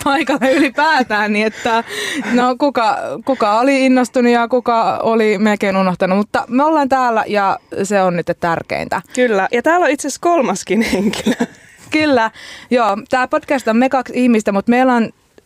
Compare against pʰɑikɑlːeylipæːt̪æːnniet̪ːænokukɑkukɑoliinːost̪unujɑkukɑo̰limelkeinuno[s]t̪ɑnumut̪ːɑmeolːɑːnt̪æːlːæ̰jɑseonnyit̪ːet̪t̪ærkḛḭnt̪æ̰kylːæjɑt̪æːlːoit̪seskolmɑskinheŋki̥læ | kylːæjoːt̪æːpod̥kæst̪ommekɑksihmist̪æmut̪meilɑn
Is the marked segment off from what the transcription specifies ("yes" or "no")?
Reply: yes